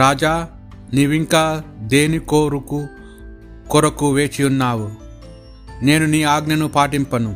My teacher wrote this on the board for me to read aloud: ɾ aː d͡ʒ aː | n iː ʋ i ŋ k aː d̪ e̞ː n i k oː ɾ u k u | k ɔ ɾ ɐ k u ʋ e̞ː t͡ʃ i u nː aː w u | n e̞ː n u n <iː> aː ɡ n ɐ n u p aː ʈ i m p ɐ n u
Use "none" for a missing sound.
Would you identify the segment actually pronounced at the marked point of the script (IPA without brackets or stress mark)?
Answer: iː